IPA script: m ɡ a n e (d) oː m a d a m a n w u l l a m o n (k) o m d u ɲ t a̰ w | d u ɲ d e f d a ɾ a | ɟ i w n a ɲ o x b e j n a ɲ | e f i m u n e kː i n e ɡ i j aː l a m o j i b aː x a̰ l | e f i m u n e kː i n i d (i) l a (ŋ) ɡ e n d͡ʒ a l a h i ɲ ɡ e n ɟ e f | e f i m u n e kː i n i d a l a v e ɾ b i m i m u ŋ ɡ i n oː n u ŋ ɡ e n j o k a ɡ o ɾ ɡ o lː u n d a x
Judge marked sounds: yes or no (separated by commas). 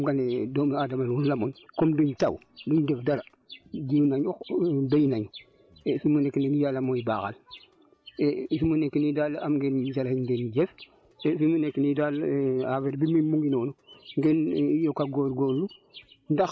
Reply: yes, yes, no, no